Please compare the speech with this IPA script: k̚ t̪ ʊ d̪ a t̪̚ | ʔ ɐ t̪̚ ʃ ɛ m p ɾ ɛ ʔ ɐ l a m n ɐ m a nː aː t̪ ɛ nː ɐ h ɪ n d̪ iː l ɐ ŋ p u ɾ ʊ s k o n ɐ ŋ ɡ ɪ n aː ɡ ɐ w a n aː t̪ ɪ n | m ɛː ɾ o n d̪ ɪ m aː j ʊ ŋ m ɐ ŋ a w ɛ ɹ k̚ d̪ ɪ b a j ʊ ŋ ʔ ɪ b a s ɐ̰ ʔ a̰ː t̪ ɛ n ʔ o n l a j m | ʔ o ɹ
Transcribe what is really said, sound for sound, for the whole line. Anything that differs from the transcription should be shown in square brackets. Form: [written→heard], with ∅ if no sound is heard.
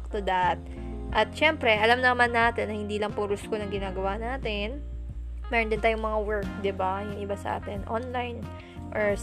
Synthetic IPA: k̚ t̪ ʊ d̪ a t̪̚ | ʔ ɐ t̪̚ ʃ ɛ m p ɾ ɛ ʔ ɐ l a m n ɐ m a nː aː t̪ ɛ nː ɐ h ɪ n d̪ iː l ɐ ŋ p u ɾ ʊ s k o n ɐ ŋ ɡ ɪ n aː ɡ ɐ w a n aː t̪ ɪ n | m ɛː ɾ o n d̪ ɪ [m→n] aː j ʊ ŋ m ɐ ŋ a w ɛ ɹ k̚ d̪ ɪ b a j ʊ ŋ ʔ ɪ b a s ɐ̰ ʔ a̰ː t̪ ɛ n ʔ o n l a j [m→n] | ʔ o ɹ